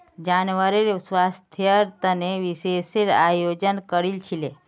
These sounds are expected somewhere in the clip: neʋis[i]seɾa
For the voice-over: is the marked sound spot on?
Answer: no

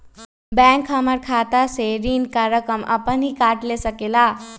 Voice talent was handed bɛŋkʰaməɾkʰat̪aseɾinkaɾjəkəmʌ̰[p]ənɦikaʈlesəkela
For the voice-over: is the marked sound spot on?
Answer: yes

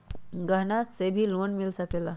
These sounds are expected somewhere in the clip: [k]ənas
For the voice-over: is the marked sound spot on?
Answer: no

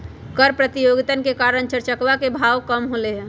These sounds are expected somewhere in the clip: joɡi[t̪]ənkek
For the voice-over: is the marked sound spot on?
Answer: yes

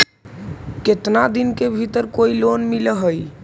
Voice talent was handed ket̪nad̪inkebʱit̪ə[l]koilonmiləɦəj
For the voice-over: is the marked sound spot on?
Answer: no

